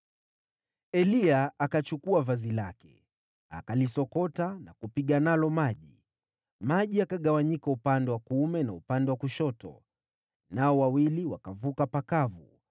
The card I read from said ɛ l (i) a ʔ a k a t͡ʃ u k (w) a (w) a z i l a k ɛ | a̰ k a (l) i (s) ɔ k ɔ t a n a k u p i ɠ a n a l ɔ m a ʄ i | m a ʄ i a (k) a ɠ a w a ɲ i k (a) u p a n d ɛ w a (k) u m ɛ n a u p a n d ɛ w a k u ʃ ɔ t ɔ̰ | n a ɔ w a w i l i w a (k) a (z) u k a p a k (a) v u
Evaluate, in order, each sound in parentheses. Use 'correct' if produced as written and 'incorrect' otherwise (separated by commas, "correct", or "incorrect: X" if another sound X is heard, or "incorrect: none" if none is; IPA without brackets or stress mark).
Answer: correct, incorrect: u, incorrect: v, correct, correct, correct, correct, correct, correct, incorrect: v, correct